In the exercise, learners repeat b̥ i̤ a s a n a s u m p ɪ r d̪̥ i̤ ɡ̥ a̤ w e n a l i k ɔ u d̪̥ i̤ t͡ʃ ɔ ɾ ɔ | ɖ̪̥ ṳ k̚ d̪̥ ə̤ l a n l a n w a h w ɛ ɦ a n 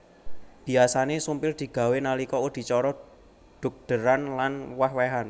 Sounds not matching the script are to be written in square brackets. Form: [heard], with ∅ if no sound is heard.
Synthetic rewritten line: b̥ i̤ a s a n [e] s u m p ɪ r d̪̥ i̤ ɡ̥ a̤ w e n a l i k ɔ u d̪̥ i̤ t͡ʃ ɔ ɾ ɔ | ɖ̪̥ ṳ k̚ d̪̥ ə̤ [ɾ] a n l a n w a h w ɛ ɦ a n